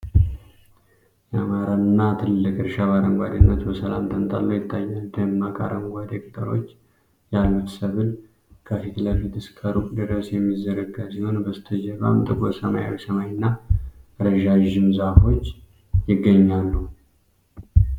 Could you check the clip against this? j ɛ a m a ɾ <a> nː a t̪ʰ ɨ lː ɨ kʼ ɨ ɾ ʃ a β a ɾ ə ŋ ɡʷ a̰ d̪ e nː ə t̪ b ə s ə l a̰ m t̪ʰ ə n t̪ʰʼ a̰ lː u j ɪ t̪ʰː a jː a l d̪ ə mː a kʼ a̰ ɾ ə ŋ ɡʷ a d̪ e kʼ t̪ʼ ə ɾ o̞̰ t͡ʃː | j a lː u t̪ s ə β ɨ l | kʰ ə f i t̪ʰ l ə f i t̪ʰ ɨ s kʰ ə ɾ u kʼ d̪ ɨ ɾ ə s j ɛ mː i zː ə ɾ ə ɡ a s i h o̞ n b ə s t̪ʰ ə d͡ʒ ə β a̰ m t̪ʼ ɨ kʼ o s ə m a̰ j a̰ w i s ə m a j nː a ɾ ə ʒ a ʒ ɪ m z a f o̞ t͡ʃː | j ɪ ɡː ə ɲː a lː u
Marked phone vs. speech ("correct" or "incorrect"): correct